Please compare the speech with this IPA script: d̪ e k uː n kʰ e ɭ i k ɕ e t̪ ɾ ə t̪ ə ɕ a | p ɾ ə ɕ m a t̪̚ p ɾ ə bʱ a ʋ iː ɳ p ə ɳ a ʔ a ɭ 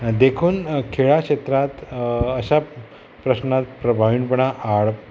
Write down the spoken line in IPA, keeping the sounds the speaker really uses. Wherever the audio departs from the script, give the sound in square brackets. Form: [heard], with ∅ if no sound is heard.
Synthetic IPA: d̪ e [kʰ] uː n kʰ e ɭ [a] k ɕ e t̪ ɾ [a] t̪ ə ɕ a | p ɾ ə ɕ [n] a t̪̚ p ɾ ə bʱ a ʋ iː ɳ p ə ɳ a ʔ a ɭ